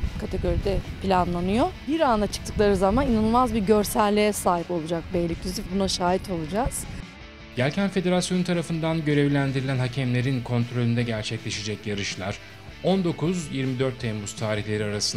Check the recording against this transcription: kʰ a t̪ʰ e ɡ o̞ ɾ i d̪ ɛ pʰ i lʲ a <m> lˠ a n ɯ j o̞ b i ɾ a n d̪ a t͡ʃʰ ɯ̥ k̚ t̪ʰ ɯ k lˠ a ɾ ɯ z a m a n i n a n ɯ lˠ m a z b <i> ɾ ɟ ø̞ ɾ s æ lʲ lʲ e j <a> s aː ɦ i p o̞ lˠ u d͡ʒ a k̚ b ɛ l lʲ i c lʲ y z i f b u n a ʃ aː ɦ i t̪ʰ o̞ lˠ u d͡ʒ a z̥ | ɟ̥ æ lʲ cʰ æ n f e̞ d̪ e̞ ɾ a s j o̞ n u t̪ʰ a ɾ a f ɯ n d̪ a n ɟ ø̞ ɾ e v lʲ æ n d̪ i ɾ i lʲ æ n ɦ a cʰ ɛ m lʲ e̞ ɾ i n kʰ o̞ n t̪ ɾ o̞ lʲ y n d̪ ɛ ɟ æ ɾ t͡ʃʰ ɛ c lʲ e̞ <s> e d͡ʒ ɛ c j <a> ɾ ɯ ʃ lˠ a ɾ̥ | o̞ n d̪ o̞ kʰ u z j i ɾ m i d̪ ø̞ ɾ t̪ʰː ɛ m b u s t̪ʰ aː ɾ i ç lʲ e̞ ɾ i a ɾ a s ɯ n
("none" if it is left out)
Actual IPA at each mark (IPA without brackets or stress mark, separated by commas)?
n, i, ɛ, ʃ, a